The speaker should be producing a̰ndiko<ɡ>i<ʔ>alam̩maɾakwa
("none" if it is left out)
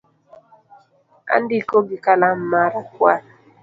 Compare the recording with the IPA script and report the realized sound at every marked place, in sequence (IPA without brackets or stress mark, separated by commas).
ɡ, k